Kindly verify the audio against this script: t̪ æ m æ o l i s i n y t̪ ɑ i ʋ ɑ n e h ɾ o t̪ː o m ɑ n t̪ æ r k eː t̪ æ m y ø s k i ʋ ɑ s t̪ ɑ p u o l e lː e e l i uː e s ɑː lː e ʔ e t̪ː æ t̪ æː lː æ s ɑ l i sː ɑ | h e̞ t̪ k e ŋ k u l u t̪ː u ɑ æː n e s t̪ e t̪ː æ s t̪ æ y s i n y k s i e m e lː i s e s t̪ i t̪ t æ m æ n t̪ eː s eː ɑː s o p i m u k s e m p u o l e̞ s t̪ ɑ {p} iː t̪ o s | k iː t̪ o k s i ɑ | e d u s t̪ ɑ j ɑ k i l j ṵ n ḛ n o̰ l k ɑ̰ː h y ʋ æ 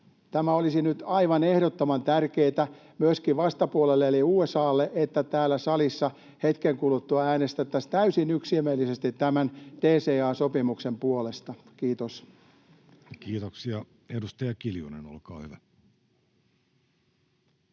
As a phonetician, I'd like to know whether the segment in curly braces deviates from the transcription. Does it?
yes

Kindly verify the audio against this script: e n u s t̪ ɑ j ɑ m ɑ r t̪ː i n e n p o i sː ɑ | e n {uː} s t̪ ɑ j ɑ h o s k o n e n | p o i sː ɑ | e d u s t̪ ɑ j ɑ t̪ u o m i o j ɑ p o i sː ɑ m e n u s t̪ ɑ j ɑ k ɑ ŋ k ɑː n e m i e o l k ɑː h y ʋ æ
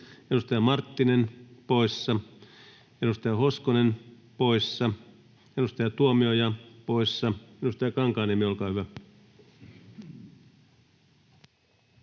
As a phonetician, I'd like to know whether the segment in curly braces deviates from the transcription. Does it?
yes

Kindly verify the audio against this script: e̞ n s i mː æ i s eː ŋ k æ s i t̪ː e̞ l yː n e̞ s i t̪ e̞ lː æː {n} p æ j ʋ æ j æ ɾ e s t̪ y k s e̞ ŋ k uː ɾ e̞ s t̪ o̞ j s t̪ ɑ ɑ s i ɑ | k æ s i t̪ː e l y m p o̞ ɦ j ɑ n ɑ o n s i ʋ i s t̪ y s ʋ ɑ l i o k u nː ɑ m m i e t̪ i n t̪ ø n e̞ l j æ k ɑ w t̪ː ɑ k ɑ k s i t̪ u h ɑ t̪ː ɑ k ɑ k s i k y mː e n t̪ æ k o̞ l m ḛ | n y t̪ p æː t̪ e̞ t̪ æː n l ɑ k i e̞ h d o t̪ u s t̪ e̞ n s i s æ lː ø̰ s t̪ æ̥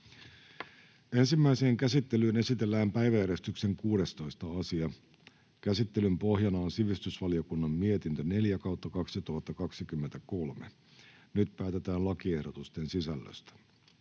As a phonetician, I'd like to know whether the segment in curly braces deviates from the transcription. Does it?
yes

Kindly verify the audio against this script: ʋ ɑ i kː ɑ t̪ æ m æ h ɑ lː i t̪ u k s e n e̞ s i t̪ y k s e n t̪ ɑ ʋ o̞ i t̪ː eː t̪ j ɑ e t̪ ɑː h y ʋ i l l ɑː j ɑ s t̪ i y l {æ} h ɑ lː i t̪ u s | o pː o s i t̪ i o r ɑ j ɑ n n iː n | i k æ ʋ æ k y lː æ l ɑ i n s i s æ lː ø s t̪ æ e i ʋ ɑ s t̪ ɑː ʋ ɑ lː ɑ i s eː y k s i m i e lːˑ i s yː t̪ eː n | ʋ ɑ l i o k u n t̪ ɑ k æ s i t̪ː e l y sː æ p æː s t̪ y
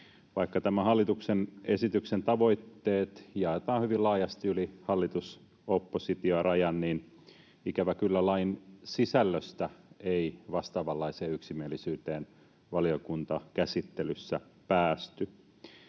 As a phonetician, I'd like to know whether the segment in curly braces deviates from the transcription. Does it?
yes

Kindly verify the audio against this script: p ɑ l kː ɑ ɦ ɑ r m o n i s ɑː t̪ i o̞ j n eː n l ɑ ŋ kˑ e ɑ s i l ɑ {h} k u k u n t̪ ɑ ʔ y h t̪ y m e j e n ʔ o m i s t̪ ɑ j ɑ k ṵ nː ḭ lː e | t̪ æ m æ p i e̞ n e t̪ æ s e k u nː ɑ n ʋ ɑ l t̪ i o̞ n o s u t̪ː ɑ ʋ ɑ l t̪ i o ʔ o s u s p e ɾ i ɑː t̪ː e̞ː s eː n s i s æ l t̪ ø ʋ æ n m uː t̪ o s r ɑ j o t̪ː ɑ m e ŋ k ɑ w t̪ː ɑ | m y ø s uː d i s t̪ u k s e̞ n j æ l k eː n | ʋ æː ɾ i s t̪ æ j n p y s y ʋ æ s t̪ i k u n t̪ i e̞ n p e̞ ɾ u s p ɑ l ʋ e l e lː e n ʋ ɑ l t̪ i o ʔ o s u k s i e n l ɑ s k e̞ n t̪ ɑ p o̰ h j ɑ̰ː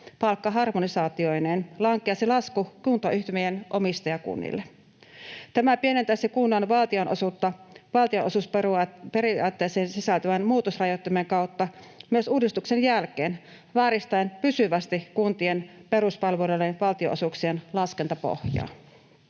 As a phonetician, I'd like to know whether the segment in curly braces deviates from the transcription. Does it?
yes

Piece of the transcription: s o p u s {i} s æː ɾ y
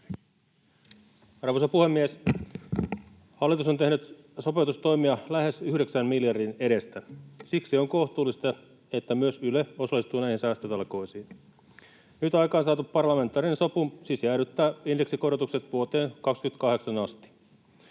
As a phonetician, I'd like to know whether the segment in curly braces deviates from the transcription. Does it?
no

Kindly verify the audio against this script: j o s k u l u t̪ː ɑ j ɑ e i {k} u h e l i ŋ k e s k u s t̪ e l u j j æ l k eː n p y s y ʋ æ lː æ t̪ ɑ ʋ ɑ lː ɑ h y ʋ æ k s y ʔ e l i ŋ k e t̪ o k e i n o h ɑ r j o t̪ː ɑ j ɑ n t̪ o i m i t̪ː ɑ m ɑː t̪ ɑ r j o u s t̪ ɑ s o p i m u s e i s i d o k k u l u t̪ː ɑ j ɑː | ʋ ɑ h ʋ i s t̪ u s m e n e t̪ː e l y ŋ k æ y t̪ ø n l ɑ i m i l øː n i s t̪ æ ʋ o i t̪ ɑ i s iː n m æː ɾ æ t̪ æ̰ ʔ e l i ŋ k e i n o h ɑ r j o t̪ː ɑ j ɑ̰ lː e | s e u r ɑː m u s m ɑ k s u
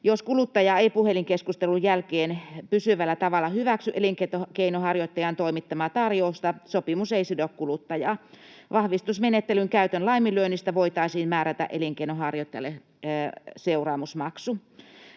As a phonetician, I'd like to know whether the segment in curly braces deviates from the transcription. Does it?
yes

